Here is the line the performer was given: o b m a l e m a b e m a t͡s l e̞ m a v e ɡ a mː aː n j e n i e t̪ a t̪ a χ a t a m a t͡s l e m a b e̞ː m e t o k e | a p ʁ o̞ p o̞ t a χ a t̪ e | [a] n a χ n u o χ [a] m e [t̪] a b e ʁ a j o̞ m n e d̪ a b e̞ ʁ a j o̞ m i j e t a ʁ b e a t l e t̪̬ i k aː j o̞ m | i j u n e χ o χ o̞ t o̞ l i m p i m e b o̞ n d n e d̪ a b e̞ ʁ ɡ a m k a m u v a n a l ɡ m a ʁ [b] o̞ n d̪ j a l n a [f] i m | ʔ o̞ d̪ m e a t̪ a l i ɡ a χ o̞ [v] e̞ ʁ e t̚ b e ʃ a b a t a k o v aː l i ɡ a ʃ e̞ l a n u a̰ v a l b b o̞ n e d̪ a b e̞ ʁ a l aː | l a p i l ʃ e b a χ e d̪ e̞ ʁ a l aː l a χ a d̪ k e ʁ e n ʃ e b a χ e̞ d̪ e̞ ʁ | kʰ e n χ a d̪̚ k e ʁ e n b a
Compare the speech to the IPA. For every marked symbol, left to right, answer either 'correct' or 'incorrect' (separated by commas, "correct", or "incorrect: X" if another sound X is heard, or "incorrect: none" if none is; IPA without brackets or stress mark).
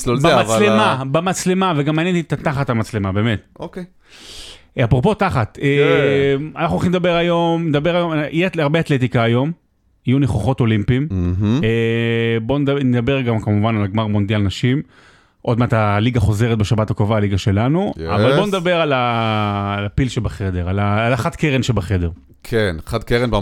correct, incorrect: i, incorrect: d̪, incorrect: m, incorrect: ʃ, incorrect: z